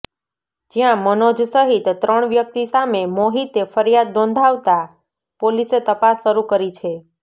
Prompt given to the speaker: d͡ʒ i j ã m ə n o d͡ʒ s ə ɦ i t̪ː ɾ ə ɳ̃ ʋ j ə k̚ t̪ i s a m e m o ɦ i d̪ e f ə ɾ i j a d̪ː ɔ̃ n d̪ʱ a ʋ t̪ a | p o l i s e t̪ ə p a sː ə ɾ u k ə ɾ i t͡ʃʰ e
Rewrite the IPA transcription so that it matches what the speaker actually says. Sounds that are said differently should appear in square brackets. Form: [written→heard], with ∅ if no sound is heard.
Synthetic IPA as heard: d͡ʒ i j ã m ə n o d͡ʒ s ə ɦ i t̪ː ɾ ə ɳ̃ ʋ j ə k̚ t̪ i s a m e m o ɦ i [d̪→t̪] e f ə ɾ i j a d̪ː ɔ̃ n d̪ʱ a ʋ t̪ a | p o l i s e t̪ ə p a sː ə ɾ u k ə ɾ i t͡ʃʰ e